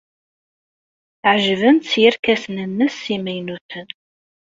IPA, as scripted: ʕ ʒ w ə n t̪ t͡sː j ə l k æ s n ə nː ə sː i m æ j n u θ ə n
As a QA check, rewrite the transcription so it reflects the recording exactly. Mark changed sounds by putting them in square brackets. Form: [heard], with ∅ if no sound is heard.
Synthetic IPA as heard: ʕ ʒ [v] ə n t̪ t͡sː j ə [ɾ] k æ s n ə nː ə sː i m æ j n u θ ə n